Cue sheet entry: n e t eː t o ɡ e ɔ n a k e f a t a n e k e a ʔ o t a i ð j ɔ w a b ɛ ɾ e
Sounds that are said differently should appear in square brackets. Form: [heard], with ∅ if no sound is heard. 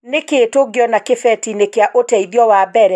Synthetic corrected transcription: n e [k] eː t o ɡ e ɔ n a k e f [ɛ] t [i] n e k e a ʔ o t [ɛ] i ð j ɔ w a b ɛ ɾ [ɛ]